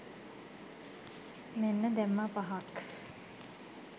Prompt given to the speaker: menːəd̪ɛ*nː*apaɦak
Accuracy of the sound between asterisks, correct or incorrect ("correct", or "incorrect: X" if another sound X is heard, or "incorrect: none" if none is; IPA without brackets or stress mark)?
incorrect: mː